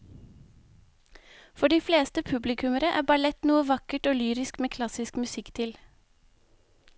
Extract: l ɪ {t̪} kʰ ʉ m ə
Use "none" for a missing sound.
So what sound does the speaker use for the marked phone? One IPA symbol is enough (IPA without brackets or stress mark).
none